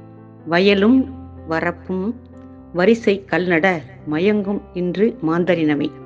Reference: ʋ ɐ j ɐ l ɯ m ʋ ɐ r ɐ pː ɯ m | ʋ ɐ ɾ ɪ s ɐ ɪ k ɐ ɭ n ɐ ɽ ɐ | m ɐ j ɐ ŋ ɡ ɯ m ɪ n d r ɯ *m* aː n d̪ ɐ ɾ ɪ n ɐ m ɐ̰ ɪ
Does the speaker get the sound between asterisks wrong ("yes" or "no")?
no